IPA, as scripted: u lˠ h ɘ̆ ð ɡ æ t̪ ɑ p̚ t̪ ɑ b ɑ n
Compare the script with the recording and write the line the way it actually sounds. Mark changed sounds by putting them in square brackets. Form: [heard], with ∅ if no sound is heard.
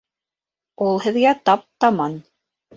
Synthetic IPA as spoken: u lˠ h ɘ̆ ð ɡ æ t̪ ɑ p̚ t̪ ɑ [m] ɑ n